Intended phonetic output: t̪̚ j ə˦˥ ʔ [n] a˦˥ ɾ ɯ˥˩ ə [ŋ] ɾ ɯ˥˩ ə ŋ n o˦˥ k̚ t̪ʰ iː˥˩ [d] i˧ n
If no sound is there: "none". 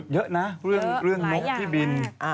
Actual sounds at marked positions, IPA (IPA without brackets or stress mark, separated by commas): n, ŋ, b